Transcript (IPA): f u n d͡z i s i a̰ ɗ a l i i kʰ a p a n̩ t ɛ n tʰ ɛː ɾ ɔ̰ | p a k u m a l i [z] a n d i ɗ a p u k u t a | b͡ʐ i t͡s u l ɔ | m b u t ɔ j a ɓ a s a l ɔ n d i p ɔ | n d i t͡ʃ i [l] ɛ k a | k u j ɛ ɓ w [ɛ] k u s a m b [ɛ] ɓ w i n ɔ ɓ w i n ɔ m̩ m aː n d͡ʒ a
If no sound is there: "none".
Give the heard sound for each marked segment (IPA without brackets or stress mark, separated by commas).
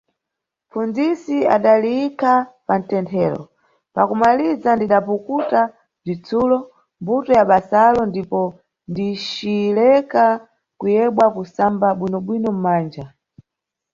z, l, a, a